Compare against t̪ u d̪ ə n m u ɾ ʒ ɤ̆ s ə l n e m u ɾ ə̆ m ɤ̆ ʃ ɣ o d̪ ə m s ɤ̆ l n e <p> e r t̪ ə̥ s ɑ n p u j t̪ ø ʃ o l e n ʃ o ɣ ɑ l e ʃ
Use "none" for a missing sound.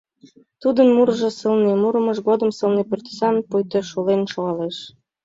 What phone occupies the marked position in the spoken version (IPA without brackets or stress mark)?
p